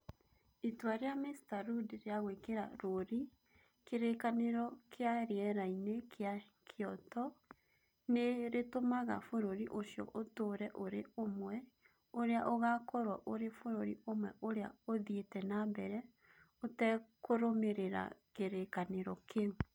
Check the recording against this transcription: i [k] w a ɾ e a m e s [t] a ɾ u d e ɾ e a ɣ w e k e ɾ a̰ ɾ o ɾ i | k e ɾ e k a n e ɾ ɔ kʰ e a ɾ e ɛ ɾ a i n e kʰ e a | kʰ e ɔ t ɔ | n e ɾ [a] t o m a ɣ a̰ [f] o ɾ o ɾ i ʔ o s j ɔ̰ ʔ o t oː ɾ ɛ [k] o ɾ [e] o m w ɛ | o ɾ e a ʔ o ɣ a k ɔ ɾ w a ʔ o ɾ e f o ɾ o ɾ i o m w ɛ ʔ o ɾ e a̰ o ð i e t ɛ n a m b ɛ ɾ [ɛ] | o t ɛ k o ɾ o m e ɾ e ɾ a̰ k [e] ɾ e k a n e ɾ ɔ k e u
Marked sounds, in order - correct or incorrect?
incorrect, correct, incorrect, correct, incorrect, correct, correct, correct

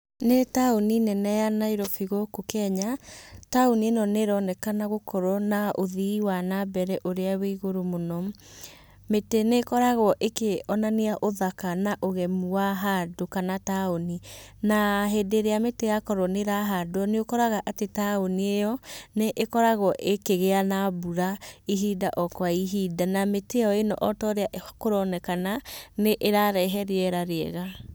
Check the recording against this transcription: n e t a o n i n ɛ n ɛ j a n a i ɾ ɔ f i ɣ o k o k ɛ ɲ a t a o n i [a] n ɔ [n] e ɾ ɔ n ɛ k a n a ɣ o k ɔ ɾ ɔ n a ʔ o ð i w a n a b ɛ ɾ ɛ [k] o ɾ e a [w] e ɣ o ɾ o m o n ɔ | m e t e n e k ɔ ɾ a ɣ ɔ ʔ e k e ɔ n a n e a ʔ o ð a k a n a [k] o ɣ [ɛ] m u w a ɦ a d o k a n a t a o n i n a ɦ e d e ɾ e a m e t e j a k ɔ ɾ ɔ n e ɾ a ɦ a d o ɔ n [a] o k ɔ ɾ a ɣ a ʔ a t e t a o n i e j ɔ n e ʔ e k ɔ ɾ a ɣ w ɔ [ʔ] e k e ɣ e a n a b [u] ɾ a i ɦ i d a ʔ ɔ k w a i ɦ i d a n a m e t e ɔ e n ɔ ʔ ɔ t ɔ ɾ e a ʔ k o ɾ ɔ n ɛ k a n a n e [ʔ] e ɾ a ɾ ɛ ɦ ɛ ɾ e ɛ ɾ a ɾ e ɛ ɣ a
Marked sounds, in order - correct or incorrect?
incorrect, correct, incorrect, correct, incorrect, correct, incorrect, correct, correct, correct

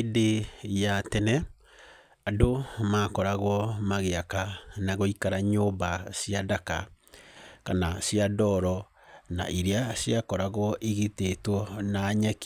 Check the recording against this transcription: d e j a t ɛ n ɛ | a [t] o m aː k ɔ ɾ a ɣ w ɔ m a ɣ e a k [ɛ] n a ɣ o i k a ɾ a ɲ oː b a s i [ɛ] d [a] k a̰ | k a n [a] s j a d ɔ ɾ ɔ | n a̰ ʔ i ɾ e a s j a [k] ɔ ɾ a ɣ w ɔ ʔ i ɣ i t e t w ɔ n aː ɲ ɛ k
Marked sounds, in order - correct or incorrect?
incorrect, incorrect, incorrect, correct, correct, correct

